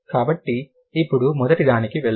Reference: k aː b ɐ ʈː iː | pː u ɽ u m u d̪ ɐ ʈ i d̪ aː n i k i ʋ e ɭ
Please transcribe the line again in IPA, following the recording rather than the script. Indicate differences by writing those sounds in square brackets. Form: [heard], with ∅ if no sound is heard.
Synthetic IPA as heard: k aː b ɐ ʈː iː | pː u ɽ u m [ɔ] d̪ ɐ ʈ i d̪ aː n i k i ʋ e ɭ